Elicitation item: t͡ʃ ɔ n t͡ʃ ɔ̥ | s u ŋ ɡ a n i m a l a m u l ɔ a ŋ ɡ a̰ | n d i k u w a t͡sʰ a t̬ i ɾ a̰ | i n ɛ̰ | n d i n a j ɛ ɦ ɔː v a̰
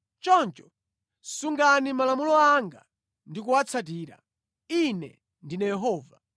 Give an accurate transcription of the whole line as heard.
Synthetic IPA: t͡ʃ ɔ n t͡ʃ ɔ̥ | s u ŋ ɡ a n i m a l a m u l ɔ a ŋ ɡ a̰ | n d i k u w a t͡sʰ a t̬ iː ɾ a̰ | i n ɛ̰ | n d i n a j ɛ ɦ ɔː v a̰